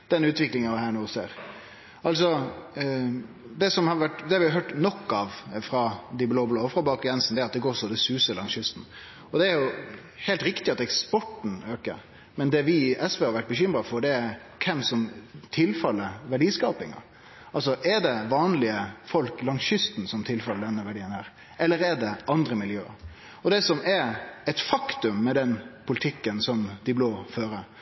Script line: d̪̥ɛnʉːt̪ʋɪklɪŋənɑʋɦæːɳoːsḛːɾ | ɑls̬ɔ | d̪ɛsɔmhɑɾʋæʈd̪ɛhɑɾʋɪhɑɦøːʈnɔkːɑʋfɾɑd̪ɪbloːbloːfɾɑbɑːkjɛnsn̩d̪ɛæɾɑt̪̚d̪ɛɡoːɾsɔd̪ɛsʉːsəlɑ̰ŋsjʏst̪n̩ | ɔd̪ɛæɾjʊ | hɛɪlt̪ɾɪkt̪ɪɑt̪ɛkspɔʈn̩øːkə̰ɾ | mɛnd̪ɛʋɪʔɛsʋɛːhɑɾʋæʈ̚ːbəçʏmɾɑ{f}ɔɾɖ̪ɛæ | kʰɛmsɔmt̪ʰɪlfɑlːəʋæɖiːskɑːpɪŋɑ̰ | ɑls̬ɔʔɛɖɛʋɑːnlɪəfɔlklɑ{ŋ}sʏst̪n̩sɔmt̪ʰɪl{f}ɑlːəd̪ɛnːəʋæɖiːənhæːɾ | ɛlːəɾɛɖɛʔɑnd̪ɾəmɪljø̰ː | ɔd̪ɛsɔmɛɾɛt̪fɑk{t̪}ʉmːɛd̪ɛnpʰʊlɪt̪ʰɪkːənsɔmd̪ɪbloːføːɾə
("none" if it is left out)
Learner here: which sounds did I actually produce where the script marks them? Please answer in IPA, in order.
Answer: f, ŋ, f, t̪

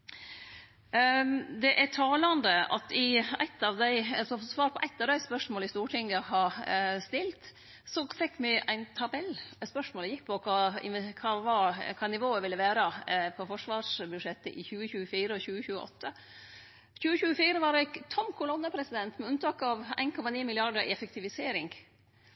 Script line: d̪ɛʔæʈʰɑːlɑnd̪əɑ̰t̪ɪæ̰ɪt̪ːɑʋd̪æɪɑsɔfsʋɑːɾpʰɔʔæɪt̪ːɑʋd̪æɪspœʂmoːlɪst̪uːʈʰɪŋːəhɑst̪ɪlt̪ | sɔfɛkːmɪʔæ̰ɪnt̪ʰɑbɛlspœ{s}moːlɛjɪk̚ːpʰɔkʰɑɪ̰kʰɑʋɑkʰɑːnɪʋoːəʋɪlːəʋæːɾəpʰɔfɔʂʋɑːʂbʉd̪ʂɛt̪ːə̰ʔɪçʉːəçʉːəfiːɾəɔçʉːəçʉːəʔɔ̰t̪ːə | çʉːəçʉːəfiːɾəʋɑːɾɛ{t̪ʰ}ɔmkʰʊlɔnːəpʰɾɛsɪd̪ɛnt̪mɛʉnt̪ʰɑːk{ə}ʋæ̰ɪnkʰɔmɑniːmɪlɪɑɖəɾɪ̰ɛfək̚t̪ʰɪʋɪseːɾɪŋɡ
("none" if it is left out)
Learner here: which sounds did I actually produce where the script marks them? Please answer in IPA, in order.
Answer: ʂ, t̪ʰ, ɑ

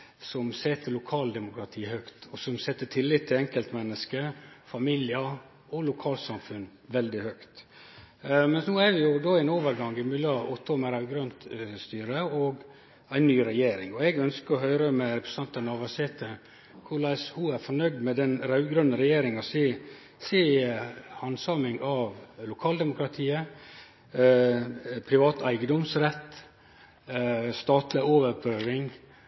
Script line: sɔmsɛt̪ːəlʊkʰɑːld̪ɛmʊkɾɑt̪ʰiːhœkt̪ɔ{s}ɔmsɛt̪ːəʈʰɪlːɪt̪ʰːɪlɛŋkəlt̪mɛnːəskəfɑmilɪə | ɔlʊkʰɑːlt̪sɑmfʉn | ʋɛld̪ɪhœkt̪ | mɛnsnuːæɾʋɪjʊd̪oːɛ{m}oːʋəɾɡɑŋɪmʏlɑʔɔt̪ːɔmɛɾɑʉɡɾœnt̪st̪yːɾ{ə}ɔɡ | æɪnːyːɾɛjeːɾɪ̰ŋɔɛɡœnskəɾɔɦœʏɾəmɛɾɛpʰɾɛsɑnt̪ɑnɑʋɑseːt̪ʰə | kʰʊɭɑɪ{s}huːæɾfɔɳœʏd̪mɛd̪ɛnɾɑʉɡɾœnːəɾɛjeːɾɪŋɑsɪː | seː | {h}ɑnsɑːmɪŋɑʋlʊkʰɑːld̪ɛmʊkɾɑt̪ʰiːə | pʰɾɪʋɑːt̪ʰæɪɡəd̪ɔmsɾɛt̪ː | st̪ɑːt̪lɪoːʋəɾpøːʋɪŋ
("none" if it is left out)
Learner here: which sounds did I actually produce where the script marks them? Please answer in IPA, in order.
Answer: s, n, ə, s, h

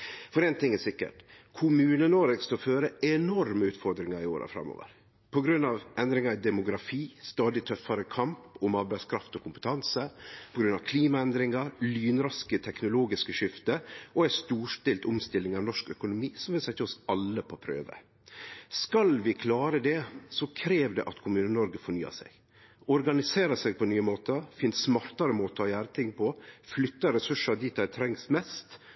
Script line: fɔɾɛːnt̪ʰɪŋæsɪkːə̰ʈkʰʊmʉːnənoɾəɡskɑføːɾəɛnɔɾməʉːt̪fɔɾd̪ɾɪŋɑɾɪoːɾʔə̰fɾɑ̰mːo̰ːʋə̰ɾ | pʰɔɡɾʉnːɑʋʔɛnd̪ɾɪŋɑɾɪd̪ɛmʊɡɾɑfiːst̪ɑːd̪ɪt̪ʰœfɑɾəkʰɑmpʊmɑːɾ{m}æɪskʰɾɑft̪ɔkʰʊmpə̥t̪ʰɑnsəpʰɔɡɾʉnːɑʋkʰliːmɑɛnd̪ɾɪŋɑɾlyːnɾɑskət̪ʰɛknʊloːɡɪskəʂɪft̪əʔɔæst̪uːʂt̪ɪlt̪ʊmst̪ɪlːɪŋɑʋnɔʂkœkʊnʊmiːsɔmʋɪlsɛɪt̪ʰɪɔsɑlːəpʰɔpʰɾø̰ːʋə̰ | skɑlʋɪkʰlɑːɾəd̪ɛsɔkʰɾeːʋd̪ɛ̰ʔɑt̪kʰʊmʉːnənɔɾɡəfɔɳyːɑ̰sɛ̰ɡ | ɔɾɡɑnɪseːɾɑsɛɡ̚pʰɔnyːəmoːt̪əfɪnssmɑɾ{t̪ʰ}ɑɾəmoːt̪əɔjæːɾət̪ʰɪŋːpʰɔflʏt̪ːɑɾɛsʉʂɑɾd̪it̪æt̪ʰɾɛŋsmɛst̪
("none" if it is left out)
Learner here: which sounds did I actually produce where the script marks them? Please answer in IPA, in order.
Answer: b, t̪

